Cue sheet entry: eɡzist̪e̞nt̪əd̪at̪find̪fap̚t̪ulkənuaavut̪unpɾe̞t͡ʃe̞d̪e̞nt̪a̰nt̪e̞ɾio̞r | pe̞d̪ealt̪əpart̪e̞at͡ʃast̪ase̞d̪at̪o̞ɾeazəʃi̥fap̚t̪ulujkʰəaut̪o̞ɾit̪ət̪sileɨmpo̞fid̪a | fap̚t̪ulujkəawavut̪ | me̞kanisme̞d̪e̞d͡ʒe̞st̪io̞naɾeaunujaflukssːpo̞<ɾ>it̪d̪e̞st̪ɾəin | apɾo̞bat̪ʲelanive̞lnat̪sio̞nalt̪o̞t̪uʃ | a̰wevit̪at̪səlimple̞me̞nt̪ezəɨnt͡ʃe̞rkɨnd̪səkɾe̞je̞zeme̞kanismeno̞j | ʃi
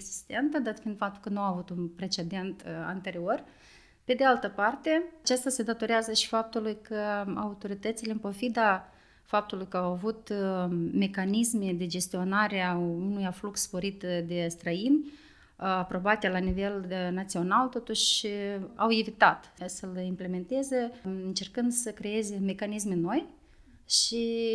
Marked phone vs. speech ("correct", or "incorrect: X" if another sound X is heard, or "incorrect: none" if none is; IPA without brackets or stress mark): correct